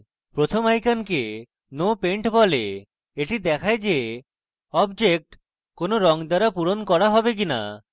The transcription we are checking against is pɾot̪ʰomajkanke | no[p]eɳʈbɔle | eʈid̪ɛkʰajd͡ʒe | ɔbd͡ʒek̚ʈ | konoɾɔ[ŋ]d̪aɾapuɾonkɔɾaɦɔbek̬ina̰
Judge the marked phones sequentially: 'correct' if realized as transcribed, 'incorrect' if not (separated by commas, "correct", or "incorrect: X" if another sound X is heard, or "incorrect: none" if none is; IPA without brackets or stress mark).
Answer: correct, correct